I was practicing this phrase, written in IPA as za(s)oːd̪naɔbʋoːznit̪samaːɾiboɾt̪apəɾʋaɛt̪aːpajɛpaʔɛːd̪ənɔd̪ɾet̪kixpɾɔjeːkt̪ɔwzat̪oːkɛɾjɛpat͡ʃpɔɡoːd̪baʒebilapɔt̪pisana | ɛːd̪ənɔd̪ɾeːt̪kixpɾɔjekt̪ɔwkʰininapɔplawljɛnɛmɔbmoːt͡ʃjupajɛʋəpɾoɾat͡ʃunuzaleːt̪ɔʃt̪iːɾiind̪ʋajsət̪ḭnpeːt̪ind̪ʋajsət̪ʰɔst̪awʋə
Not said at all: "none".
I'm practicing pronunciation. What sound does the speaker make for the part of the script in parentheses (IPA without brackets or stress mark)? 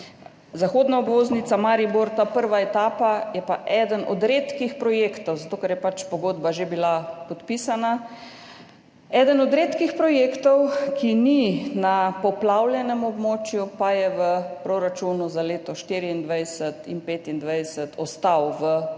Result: x